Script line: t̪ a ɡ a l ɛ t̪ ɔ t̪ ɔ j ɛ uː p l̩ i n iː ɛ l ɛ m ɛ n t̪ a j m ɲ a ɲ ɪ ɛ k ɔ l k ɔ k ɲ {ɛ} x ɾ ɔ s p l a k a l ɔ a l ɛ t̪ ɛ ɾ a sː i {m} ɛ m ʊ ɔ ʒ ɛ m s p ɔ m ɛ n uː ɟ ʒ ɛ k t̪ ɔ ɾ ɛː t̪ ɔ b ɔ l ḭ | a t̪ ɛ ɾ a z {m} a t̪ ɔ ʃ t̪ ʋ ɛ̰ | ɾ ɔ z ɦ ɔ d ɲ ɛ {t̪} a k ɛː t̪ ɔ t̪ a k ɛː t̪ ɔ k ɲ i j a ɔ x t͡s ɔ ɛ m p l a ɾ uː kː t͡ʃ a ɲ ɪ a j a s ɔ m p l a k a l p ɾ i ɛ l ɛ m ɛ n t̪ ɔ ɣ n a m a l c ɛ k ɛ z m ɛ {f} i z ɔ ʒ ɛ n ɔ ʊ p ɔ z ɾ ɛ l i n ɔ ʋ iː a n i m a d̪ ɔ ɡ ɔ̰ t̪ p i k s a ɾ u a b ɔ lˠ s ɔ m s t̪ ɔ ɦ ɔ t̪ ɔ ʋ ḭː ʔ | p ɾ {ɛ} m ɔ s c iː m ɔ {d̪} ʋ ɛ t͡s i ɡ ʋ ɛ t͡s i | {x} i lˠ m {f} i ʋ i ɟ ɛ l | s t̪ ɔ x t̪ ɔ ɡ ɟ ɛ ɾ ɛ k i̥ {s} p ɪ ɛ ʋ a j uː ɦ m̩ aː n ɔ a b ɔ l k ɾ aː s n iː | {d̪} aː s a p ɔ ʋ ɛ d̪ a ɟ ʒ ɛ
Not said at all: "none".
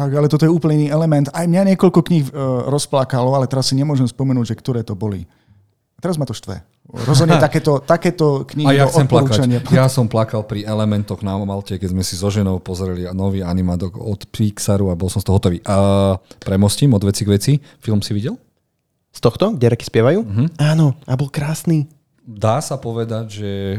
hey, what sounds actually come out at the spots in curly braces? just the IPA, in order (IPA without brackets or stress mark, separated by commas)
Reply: i, ɲ, m, t̪, s, ɛ, d̪, f, s, s, d̪